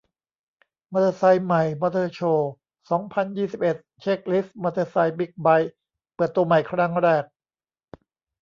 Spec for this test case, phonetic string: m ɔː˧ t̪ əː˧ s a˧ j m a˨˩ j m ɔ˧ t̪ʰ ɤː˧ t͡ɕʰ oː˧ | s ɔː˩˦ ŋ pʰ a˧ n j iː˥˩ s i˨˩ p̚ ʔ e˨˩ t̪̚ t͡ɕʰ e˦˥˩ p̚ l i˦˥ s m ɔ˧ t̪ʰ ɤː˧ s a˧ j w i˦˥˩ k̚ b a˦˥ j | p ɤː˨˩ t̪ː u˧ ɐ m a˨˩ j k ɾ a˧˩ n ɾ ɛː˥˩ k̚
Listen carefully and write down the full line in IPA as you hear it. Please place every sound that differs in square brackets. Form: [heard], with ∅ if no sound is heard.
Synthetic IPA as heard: m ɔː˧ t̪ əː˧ s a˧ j m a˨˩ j m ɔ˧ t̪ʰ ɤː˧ t͡ɕʰ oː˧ | s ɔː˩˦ ŋ pʰ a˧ n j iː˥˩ s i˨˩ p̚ ʔ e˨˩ t̪̚ t͡ɕʰ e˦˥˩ [k̚] l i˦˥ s m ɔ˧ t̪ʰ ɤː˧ s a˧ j [b] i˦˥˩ k̚ b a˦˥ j | p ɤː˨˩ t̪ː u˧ ɐ m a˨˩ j [kʰ] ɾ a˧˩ [ŋ] ɾ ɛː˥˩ k̚